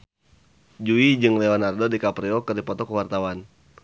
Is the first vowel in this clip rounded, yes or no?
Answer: yes